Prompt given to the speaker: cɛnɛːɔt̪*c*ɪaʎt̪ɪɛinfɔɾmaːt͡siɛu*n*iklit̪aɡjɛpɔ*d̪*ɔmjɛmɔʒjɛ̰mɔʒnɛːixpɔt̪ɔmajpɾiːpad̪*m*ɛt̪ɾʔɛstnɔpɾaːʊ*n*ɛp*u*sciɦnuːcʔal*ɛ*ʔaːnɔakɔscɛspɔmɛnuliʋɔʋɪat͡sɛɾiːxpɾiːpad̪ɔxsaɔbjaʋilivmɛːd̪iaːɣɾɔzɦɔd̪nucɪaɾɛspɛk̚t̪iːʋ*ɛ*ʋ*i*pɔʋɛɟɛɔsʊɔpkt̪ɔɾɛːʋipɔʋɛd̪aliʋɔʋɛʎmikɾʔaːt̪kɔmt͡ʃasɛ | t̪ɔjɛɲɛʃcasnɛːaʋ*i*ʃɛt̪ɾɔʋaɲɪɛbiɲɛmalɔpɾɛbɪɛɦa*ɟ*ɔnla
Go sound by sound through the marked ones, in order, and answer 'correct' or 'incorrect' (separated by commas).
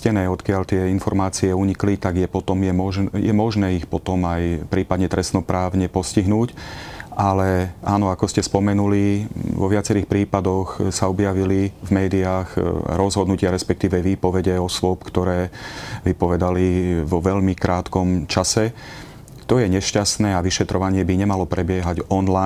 incorrect, incorrect, incorrect, incorrect, incorrect, incorrect, correct, correct, incorrect, correct, correct